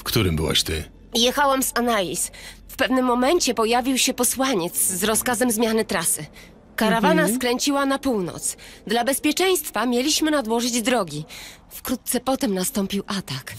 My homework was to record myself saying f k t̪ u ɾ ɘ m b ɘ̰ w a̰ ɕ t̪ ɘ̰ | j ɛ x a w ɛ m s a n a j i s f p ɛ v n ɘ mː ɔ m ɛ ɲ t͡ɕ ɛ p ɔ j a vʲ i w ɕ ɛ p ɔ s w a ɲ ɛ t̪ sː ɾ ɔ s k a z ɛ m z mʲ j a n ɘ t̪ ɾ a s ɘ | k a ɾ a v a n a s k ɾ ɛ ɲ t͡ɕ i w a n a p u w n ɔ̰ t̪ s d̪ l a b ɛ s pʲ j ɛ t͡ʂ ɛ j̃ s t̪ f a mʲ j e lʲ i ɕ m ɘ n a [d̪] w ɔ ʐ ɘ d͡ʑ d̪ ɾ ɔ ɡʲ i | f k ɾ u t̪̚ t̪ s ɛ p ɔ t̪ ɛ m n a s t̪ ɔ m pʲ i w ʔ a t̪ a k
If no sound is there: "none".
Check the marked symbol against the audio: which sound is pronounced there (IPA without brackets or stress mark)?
d̪